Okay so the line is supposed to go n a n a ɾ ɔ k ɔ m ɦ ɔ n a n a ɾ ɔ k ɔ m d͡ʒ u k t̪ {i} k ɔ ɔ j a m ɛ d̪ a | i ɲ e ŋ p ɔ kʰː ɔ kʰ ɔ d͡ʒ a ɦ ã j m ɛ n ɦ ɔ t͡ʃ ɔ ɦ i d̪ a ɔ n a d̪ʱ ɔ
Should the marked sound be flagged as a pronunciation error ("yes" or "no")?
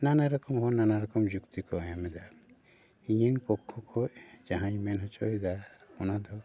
no